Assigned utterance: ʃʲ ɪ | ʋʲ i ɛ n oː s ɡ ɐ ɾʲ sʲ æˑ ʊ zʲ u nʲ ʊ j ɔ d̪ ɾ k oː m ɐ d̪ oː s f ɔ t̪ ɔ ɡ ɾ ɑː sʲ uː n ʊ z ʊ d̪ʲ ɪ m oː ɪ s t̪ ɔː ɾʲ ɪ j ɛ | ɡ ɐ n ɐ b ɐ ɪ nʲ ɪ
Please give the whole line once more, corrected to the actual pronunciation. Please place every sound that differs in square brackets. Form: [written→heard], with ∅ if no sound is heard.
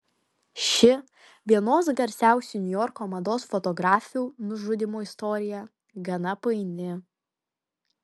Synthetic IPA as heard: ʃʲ ɪ | ʋʲ i ɛ n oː s ɡ ɐ ɾʲ sʲ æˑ ʊ [zʲ→sʲ] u nʲ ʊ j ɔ [d̪→∅] ɾ k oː m ɐ d̪ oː s f ɔ t̪ ɔ ɡ ɾ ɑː [sʲ→fʲ] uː n ʊ [z→ʒ] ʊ d̪ʲ ɪ m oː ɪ s t̪ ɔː ɾʲ ɪ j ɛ | ɡ ɐ n ɐ [b→p] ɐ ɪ nʲ ɪ